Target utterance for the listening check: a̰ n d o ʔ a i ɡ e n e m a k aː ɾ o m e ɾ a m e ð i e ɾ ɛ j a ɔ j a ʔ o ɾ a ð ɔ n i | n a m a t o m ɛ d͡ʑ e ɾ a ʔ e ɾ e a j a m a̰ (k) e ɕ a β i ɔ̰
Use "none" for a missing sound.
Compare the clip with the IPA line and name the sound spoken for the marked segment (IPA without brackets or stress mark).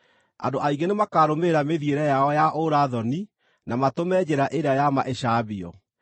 ʔ